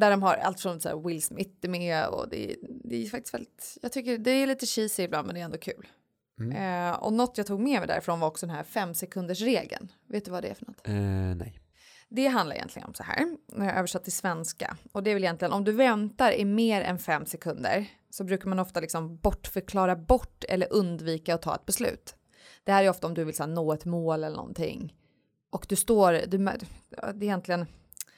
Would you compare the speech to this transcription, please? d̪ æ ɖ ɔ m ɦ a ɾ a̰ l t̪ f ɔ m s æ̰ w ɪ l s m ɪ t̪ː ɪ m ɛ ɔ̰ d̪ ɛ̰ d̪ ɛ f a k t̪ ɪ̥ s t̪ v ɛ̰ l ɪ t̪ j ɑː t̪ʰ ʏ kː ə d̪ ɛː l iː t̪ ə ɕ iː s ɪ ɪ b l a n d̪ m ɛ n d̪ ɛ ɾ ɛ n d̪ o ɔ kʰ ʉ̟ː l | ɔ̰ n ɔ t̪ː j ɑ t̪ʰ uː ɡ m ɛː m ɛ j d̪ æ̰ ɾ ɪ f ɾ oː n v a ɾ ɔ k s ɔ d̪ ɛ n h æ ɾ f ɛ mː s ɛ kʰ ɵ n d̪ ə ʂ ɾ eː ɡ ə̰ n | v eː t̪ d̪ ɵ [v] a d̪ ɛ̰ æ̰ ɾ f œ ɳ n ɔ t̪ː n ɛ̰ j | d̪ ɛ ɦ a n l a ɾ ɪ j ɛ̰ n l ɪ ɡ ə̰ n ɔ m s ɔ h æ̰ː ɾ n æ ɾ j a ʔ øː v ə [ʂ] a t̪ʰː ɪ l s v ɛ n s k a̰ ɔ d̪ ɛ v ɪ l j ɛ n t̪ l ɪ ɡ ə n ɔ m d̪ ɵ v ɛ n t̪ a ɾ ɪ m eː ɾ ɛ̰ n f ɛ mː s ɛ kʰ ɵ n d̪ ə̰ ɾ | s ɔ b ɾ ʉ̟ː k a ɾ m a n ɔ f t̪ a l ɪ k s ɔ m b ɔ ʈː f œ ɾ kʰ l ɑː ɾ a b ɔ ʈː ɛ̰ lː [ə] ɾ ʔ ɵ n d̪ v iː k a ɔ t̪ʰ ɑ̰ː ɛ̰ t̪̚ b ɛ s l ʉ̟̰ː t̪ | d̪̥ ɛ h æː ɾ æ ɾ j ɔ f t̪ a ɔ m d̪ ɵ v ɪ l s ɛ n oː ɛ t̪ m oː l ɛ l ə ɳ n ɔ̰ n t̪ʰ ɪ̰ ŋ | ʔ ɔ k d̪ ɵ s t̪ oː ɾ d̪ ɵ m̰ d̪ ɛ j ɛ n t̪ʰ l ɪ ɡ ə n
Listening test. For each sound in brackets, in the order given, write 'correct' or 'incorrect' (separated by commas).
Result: correct, correct, correct